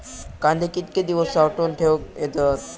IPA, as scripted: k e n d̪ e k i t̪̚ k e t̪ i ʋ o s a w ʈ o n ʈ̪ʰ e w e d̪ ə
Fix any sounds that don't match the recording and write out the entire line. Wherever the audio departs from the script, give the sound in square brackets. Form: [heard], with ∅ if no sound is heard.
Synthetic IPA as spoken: k [a] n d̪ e k i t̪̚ k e [d̪] i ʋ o s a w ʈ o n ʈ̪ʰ e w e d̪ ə